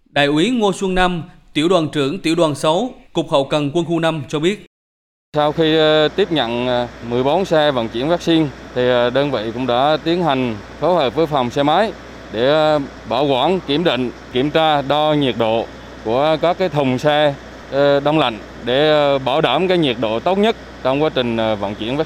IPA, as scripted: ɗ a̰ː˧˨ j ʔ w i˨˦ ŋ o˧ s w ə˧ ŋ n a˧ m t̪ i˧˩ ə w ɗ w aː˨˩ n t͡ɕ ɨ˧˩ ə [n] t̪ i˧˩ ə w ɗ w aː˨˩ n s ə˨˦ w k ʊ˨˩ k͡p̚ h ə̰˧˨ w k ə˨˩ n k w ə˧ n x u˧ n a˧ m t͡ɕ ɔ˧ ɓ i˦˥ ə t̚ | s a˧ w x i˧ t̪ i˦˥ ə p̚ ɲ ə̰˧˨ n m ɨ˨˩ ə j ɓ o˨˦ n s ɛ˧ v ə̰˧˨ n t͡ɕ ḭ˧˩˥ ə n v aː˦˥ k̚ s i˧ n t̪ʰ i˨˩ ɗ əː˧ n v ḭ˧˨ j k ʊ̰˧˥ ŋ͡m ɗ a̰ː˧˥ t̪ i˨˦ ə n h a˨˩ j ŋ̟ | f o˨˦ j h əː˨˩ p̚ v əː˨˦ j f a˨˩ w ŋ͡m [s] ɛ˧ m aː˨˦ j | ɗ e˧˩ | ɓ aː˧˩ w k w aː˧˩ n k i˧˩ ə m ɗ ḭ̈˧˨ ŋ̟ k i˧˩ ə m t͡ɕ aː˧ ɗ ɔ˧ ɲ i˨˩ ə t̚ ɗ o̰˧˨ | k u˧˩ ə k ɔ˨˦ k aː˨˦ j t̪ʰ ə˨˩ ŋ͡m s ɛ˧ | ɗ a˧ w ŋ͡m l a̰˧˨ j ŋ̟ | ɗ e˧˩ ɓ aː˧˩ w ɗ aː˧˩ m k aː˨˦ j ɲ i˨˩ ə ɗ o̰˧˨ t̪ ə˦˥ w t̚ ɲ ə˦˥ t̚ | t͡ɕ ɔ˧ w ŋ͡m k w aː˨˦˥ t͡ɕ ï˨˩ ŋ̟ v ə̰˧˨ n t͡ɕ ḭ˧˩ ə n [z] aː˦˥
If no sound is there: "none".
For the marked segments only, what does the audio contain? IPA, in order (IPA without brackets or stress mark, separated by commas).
ŋ, s, v